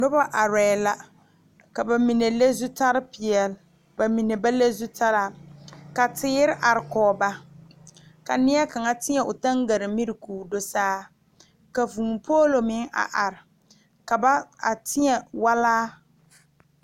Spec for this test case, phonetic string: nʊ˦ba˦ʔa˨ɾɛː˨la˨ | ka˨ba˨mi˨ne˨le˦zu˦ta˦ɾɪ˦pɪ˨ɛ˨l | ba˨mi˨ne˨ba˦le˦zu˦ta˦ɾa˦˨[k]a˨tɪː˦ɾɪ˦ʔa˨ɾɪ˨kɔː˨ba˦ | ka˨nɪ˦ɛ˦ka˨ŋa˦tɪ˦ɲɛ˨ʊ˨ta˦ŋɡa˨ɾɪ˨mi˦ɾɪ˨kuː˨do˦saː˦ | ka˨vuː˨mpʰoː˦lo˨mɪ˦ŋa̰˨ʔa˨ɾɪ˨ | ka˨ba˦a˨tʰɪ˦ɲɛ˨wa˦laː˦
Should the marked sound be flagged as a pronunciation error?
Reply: no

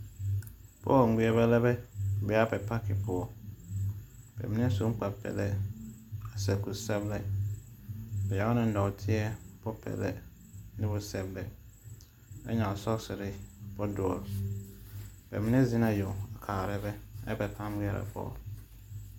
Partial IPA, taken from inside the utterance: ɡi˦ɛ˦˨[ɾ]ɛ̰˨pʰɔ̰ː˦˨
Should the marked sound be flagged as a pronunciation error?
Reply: no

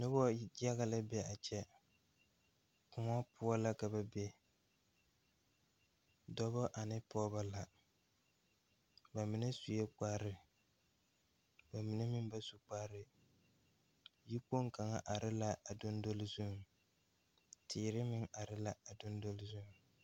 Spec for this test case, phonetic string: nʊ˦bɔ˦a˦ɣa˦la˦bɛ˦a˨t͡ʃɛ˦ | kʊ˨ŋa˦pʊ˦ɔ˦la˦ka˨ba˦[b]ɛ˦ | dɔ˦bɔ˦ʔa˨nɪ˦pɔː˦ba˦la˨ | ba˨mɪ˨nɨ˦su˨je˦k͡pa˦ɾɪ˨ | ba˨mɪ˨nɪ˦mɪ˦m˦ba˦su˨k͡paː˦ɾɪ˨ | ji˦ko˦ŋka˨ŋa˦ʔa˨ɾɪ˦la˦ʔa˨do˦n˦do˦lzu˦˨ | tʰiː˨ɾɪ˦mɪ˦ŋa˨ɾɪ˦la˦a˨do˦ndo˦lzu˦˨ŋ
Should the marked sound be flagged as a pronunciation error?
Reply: no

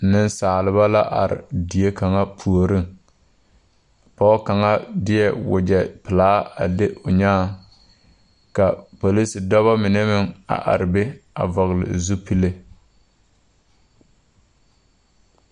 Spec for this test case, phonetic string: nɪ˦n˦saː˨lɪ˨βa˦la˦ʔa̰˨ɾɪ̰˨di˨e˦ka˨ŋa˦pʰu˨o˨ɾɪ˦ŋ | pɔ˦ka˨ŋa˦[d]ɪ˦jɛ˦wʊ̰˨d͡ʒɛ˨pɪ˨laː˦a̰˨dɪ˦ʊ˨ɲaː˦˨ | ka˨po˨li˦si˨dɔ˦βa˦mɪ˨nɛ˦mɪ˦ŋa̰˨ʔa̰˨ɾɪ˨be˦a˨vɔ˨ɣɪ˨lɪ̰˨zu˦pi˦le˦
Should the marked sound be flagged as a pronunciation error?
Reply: no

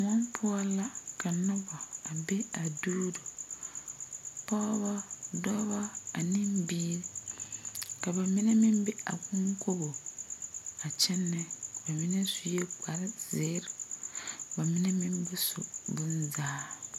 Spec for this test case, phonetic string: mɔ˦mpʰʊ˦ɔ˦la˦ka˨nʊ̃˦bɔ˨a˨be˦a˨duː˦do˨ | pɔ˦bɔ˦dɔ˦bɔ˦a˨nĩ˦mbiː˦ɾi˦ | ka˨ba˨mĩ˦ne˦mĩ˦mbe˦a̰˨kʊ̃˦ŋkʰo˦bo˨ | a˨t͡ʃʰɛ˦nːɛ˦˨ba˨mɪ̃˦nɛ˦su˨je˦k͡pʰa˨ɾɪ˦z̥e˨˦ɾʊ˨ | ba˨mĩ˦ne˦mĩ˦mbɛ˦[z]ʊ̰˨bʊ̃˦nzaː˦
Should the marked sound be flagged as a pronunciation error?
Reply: yes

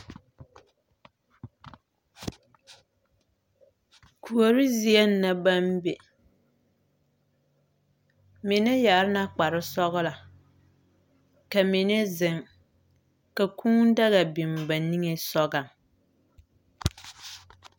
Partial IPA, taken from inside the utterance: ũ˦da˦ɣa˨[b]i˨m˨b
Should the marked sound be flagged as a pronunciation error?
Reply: no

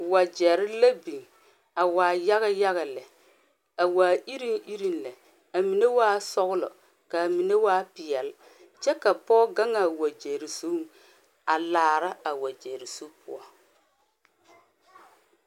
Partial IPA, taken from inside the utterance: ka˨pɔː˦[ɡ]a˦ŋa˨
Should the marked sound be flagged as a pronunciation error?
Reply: no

